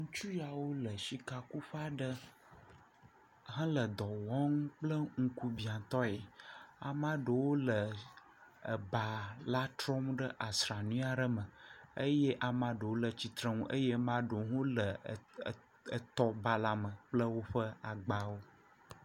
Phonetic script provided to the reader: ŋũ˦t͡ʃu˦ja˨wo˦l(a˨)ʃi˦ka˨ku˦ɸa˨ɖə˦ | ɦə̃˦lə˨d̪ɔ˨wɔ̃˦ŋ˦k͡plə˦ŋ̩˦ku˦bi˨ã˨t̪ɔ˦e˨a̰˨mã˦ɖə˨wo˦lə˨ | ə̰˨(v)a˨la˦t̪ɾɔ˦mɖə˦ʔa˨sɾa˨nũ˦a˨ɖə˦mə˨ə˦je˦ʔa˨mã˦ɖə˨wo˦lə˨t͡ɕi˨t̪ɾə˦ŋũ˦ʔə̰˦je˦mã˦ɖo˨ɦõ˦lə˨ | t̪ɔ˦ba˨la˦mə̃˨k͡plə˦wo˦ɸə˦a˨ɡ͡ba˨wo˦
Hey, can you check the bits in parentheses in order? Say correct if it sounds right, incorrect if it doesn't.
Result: incorrect: ə˨, incorrect: b

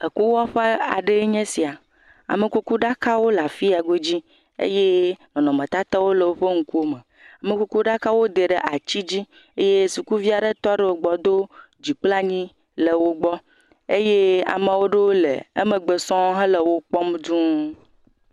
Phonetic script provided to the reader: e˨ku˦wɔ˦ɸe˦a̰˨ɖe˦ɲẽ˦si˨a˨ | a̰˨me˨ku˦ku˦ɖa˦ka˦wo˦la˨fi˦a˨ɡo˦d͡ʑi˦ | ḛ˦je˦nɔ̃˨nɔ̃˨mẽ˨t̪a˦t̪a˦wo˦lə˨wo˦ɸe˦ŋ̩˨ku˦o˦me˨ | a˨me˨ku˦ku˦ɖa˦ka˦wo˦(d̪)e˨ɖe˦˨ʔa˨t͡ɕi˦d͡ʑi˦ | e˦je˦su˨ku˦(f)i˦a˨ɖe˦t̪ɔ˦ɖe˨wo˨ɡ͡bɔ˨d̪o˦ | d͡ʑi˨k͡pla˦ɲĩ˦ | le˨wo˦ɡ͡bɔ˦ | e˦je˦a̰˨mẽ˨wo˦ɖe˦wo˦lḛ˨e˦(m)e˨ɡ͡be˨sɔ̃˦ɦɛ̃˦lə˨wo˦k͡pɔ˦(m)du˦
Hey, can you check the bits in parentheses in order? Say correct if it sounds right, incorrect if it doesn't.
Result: correct, incorrect: v, correct, correct

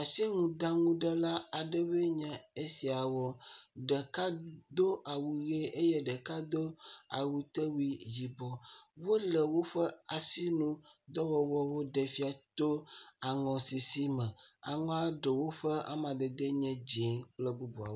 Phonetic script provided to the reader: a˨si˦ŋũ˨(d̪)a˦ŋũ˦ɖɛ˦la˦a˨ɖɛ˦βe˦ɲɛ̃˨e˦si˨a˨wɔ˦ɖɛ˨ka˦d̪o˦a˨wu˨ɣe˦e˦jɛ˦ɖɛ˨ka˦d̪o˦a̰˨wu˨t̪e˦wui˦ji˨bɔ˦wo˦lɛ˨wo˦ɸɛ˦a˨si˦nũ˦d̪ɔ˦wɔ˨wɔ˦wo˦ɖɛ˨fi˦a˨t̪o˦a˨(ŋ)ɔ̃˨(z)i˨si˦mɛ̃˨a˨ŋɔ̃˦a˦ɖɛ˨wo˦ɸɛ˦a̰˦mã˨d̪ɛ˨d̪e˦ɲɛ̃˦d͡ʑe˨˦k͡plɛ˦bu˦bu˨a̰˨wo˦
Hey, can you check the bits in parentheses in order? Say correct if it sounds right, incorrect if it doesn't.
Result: correct, correct, incorrect: s

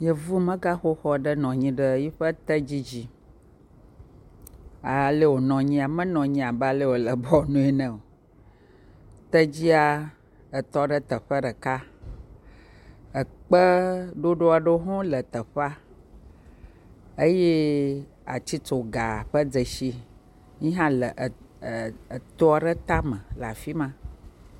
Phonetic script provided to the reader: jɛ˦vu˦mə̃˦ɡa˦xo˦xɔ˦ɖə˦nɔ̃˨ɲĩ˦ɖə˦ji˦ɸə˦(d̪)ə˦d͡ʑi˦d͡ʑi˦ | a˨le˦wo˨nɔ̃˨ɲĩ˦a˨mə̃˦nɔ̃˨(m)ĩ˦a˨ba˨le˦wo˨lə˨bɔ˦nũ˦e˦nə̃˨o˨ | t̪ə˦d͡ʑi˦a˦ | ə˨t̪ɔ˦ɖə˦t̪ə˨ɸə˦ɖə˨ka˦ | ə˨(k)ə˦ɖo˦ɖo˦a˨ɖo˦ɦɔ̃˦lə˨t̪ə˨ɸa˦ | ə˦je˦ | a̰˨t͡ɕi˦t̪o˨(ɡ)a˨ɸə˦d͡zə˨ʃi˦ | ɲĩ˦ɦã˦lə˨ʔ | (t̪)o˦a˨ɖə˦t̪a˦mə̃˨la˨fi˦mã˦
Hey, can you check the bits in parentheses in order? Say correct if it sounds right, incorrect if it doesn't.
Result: incorrect: t̪, incorrect: ɲ, incorrect: k͡p, correct, correct

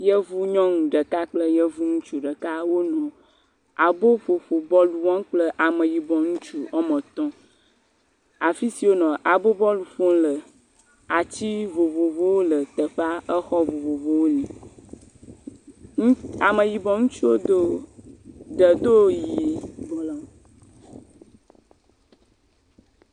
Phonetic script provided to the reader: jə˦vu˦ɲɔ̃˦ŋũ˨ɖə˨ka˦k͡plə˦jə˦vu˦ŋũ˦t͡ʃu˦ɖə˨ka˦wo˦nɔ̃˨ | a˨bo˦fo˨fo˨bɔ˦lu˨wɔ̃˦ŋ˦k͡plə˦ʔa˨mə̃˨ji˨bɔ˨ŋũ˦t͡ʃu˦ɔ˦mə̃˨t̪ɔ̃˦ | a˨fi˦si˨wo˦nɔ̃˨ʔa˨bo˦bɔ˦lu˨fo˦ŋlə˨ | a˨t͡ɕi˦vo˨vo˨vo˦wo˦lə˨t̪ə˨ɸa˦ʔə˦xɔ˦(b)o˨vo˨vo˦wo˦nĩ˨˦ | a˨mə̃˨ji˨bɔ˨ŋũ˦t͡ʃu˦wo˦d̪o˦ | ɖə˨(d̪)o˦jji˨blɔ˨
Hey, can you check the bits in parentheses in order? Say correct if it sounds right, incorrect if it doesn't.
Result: incorrect: v, correct

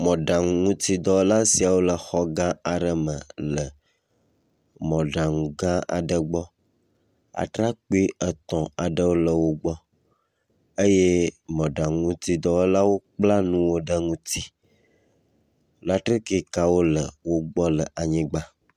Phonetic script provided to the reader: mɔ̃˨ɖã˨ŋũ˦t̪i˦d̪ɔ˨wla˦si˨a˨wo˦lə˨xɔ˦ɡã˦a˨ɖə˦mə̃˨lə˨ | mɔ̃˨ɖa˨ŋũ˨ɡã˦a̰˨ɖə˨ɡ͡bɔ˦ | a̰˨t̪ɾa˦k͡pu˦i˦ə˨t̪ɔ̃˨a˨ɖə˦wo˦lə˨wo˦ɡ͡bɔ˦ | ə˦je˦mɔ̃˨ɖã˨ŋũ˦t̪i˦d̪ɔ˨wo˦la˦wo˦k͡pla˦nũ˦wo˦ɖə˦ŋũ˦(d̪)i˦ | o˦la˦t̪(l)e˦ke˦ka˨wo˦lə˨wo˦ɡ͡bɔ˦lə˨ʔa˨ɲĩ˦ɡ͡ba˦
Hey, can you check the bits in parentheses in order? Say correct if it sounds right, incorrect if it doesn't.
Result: incorrect: t̪, incorrect: ɾ

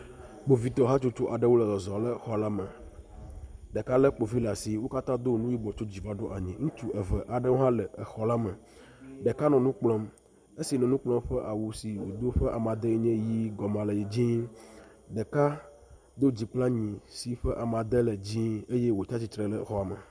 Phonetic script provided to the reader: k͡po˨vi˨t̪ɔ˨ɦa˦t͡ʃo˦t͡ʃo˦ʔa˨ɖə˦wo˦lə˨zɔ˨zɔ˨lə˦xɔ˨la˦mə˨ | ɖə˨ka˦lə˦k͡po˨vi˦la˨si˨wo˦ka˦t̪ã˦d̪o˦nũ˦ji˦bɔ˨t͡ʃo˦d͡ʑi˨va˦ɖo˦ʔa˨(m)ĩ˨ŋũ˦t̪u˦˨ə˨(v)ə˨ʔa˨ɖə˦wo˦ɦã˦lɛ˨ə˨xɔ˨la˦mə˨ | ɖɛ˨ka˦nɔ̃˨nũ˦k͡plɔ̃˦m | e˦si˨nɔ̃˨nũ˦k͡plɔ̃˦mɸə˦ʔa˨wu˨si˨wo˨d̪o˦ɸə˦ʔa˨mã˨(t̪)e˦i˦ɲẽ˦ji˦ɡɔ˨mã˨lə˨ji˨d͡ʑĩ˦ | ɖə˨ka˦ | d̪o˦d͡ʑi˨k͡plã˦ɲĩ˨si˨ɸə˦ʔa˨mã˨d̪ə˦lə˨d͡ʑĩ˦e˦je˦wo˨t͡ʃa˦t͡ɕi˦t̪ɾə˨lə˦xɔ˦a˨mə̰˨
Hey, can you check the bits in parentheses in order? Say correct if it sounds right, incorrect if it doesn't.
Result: incorrect: ɲ, correct, incorrect: d̪

